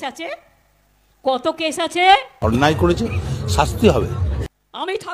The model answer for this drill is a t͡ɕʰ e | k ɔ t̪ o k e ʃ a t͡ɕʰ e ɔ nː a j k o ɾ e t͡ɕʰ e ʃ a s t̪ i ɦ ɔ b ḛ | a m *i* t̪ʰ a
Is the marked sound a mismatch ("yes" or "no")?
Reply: no